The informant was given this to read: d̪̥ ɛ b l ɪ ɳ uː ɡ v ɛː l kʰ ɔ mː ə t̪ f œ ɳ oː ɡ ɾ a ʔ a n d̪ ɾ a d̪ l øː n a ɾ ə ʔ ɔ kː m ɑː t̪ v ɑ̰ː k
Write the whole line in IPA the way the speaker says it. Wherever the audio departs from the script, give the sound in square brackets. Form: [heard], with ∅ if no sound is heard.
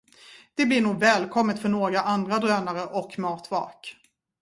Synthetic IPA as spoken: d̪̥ ɛ b l ɪ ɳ uː ɡ v ɛː l kʰ ɔ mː ə t̪ f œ ɳ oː ɡ ɾ a ʔ a n d̪ ɾ a d̪ [ɾ] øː n a ɾ ə ʔ ɔ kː m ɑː t̪ v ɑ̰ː k